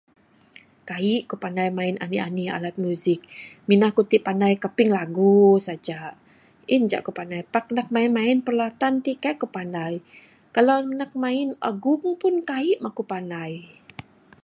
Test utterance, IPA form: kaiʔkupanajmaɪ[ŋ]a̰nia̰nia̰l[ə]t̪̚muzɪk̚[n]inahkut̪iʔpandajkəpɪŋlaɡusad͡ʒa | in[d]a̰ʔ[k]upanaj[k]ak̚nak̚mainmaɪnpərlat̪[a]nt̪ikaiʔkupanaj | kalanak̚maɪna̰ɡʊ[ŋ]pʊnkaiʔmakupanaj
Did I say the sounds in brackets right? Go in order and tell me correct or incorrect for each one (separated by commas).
incorrect, incorrect, incorrect, incorrect, correct, incorrect, correct, correct